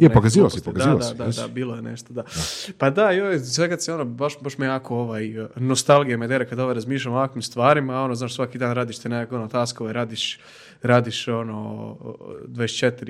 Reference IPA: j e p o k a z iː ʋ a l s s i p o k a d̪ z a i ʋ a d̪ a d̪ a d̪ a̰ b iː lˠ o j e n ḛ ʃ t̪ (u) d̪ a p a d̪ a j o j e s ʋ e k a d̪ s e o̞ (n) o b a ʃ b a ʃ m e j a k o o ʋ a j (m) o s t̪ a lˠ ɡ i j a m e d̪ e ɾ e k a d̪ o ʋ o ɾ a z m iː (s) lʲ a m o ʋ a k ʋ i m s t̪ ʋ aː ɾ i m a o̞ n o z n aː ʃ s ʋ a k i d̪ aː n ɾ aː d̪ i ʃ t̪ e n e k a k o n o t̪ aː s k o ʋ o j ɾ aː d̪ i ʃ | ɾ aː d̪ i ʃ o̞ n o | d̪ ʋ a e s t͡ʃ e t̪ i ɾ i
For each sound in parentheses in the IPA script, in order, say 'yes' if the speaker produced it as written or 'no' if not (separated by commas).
no, yes, no, no